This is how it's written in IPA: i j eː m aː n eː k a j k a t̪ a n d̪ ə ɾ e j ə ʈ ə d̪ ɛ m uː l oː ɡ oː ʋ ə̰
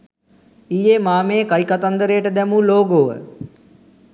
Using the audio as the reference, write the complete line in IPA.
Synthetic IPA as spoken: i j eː m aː m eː k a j k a t̪ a n d̪ ə ɾ e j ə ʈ ə d̪ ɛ m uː l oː ɡ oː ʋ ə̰